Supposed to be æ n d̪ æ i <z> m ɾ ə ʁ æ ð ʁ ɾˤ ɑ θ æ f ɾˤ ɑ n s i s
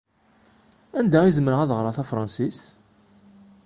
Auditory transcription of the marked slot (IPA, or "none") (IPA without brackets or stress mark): z